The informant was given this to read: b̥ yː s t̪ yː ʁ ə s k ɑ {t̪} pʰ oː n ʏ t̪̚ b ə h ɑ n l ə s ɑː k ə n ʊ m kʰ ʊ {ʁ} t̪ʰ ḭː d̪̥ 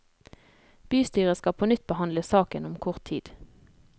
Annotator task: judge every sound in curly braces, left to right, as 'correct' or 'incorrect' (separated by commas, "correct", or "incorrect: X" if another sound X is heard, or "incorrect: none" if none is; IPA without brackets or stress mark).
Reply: incorrect: none, correct